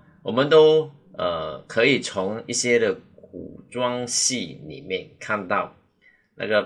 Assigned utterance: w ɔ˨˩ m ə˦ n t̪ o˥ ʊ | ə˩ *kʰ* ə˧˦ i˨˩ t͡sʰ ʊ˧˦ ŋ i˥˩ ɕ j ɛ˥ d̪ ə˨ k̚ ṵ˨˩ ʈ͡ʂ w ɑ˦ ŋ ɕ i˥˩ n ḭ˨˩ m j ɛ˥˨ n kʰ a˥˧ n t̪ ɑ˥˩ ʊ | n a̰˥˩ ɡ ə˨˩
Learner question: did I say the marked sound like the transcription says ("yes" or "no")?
yes